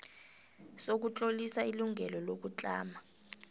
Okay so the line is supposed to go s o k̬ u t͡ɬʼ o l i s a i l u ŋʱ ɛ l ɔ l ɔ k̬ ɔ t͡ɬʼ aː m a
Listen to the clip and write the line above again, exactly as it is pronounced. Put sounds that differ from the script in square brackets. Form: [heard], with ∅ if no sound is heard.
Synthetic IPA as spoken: s o k̬ u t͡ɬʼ o l i s a i l u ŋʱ ɛ l ɔ l [o] k̬ [u] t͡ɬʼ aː m a